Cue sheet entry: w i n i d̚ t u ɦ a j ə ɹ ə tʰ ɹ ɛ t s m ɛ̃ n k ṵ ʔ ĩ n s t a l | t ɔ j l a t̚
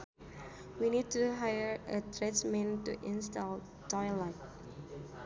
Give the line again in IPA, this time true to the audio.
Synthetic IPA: w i n i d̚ t u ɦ a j ə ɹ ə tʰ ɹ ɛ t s m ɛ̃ n t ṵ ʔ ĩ n s t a l | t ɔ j l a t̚

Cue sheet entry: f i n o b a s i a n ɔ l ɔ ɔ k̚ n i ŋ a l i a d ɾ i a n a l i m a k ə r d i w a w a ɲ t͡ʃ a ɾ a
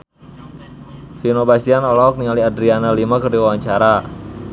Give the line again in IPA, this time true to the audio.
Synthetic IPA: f i n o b a s i a n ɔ l ɔ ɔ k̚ n i ŋ a l i a d ɾ i a n a l i m a k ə r d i w a w a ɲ t͡ʃ a ɾ a

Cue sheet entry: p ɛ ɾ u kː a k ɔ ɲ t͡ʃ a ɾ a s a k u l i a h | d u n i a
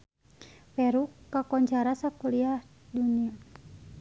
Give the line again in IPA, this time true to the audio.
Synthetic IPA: p ɛ ɾ u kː a k ɔ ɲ t͡ʃ a ɾ a s a k u l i a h | d u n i a

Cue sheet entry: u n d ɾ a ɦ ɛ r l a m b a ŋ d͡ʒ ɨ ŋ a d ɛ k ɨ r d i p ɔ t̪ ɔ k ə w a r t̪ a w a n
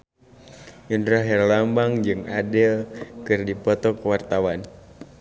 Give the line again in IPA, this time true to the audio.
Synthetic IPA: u n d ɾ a ɦ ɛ r l a m b a ŋ d͡ʒ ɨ ŋ a d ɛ k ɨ r d i p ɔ t̪ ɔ k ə w a r t̪ a w a n

